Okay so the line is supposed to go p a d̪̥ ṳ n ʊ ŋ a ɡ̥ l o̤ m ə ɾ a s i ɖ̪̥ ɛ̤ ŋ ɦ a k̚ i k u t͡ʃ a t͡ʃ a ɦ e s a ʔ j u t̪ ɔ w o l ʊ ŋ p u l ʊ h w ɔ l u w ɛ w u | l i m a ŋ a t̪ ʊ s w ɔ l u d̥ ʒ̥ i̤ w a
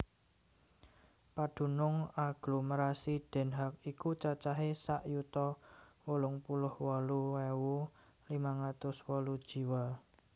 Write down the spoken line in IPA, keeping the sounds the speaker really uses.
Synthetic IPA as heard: p a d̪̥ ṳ n ʊ ŋ a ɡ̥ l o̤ m ə ɾ a s i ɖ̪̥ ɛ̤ n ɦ a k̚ i k u t͡ʃ a t͡ʃ a ɦ e s a ʔ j u t̪ ɔ w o l ʊ ŋ p u l ʊ h w ɔ l u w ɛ w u | l i m a ŋ a t̪ ʊ s w ɔ l u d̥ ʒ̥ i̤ w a